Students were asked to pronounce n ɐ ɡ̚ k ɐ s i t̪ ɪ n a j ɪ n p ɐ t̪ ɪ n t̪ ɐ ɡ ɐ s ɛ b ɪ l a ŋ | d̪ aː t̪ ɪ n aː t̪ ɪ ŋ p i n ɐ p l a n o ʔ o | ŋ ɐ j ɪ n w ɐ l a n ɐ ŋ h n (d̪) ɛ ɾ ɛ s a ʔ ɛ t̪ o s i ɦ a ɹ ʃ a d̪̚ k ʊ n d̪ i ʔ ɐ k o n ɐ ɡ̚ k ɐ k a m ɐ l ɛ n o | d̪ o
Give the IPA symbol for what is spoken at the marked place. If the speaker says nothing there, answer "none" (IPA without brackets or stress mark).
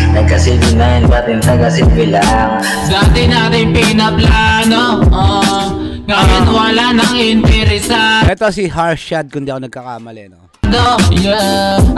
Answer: t̪